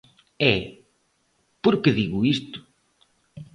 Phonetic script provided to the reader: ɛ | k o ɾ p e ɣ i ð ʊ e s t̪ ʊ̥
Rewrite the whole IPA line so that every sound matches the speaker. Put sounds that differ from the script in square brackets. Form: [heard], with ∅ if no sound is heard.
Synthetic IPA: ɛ | [p] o ɾ [k] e [ð] i [ɣ] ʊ [i] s t̪ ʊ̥

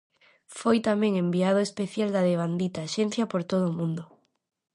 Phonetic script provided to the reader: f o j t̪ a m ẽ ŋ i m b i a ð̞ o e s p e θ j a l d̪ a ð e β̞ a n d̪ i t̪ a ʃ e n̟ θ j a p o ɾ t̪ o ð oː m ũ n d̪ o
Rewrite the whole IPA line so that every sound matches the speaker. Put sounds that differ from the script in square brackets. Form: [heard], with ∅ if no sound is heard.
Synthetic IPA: f o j t̪ a m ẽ ŋ [e] m b i a ð̞ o e s p e θ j a l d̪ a ð e β̞ a n d̪ i t̪ a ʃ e n̟ θ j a p o ɾ t̪ o ð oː m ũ n d̪ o

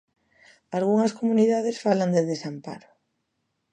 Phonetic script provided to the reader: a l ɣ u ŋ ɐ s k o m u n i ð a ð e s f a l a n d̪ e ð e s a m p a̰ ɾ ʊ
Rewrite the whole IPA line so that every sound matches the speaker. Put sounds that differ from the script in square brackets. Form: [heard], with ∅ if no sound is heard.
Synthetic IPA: a l ɣ u ŋ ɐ s k o m u n i ð a ð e s f a l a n d̪ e ð e s a m p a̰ ɾ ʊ

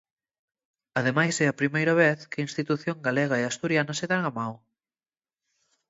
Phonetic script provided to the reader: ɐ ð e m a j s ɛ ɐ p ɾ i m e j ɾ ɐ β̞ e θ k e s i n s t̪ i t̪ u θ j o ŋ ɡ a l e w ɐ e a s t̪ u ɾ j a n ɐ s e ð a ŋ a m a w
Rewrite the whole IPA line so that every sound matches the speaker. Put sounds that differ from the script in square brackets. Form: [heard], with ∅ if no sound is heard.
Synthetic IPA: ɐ ð e m a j s ɛ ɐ p ɾ i m e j ɾ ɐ β̞ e θ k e [∅] i n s t̪ i t̪ u θ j o ŋ ɡ a l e [ɣ] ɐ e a s t̪ u ɾ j a n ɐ s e ð a ŋ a m a w

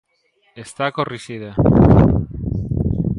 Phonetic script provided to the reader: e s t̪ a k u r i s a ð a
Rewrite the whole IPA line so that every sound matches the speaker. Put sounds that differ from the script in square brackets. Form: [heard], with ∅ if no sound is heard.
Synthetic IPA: e s t̪ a k [o] r i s [i] ð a

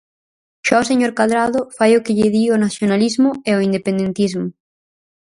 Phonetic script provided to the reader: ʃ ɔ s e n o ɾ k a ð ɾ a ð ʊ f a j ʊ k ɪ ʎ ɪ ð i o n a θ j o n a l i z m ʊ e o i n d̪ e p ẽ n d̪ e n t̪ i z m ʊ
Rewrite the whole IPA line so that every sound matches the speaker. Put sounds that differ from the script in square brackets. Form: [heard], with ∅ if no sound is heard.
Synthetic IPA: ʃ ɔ s e [ɲ] o ɾ k a ð ɾ a ð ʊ f a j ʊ k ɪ ʎ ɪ ð i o n a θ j o n a l i z m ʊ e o i n d̪ e p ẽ n d̪ e n t̪ i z m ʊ

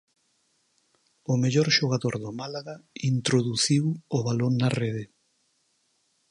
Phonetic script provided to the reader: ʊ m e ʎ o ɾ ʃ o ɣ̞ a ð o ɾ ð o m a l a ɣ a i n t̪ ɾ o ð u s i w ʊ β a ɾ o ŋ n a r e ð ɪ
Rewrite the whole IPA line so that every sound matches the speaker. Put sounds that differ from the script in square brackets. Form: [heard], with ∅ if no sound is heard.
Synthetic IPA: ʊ m e ʎ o ɾ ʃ o ɣ̞ a ð o ɾ ð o m a l a ɣ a i n t̪ ɾ o ð u [θ] i w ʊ β a [l] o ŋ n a r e ð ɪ

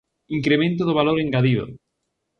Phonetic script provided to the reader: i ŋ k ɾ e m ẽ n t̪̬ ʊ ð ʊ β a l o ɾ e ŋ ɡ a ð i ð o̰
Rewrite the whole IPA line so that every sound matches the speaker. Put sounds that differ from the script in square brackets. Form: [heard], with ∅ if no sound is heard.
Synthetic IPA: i ŋ k ɾ e m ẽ n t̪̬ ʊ ð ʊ β a l o ɾ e ŋ ɡ a ð i ð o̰

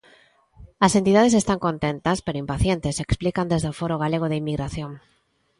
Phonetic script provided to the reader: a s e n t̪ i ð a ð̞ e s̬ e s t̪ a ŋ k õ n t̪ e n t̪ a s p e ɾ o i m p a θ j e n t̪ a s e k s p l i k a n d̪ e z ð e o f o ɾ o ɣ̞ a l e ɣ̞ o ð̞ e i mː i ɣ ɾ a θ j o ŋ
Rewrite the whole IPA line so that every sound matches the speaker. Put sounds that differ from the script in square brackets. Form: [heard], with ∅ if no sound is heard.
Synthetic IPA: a s e n t̪ i ð a ð̞ e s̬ e s t̪ a ŋ k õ n t̪ e n t̪ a s p e ɾ o i m p a θ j e n t̪ [e] s e k s p l i k a n d̪ e z ð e o f o ɾ o ɣ̞ a l e ɣ̞ o ð̞ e i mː i ɣ ɾ a θ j o ŋ

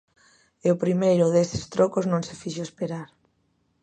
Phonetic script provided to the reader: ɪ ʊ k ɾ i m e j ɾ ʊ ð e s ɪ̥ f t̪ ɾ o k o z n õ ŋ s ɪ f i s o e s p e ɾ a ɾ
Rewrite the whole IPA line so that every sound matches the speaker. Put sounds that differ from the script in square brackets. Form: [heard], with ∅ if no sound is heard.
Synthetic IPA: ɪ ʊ [p] ɾ i m e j ɾ ʊ ð e s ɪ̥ [s] t̪ ɾ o k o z n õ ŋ s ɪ f i [ʃ] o e s p e ɾ a ɾ

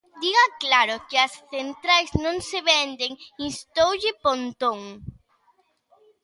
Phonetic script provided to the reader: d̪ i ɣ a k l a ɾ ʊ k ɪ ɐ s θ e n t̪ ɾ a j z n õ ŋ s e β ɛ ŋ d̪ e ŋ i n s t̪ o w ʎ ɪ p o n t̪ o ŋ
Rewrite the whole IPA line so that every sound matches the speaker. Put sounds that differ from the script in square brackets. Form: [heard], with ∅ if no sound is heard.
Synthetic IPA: d̪ i ɣ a k l a ɾ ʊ k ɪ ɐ s θ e n t̪ ɾ a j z n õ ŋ s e β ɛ [n] d̪ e ŋ i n s t̪ o w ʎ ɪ p o n t̪ o ŋ

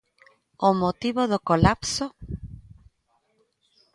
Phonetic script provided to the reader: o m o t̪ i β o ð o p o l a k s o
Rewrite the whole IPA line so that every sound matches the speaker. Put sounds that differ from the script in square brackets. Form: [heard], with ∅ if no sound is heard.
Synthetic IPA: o m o t̪ i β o ð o [k] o l a [p] s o

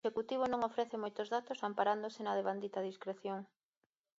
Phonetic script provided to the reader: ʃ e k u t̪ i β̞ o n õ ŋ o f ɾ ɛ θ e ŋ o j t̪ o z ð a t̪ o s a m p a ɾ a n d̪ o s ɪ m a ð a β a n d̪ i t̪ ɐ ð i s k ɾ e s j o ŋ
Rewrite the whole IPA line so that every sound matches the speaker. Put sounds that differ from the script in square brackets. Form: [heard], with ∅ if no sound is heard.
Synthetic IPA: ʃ e k u t̪ i β̞ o n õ ŋ o f ɾ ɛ θ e [m] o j t̪ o z ð a t̪ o s a m p a ɾ a n d̪ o s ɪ [n] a ð [e] β a n d̪ i t̪ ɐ ð i s k ɾ e [θ] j o ŋ

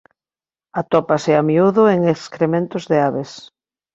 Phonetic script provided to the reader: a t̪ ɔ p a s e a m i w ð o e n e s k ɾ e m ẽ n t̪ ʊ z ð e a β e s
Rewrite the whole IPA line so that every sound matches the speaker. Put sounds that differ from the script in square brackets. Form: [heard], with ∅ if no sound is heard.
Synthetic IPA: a t̪ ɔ p a s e a m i [u] ð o e [ŋ] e s k ɾ e m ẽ n t̪ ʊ z ð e a β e s

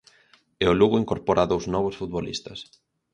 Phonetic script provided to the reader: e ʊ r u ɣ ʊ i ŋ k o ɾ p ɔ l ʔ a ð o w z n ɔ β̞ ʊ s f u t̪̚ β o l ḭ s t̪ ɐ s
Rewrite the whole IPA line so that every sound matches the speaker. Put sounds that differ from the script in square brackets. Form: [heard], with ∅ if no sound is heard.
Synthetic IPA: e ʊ [l] u ɣ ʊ i ŋ k o ɾ p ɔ [ɾ] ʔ a ð o w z n ɔ β̞ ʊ s f u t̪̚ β o l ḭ s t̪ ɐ s

